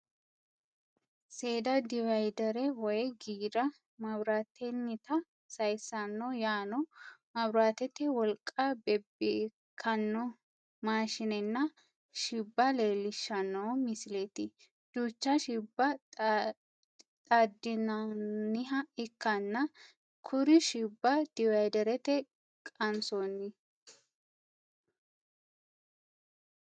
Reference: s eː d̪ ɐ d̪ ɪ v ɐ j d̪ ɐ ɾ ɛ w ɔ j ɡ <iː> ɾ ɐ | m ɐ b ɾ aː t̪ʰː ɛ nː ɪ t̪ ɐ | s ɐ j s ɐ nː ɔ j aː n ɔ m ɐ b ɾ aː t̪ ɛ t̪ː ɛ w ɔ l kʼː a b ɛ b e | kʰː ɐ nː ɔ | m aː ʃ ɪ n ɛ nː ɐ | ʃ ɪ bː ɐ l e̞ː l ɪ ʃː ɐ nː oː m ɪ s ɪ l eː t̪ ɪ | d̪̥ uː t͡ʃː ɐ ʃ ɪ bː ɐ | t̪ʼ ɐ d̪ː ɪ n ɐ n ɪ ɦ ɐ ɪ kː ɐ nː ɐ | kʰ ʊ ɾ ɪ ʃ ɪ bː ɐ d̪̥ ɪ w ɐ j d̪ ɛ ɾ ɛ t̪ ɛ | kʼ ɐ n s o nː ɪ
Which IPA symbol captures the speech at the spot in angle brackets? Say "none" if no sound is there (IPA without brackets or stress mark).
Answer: iː